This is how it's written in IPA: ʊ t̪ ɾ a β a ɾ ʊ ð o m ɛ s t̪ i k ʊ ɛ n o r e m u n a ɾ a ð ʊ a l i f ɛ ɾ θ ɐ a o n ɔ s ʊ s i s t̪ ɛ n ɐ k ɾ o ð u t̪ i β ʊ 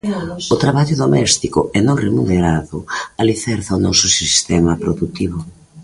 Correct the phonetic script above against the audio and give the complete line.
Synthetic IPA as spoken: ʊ t̪ ɾ a β a ʎ ʊ ð o m ɛ s t̪ i k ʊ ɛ n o r e m u n e ɾ a ð ʊ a l i θ ɛ ɾ θ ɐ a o n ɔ s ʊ s i s t̪ ɛ m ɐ p ɾ o ð u t̪ i β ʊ